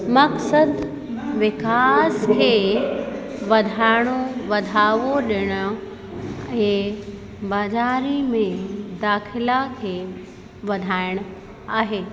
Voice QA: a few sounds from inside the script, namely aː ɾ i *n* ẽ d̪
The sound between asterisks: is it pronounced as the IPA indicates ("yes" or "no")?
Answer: no